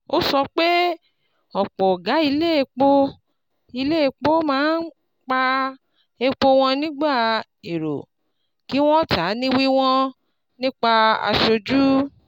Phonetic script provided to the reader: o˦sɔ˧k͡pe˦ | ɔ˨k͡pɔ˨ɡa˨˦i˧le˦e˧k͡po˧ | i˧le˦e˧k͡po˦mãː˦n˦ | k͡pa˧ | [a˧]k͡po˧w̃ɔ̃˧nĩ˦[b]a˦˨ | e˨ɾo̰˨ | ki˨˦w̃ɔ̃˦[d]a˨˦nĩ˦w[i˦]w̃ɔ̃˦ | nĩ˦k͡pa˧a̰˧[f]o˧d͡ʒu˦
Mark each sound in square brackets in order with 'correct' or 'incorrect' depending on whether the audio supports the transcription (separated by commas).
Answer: incorrect, incorrect, incorrect, correct, incorrect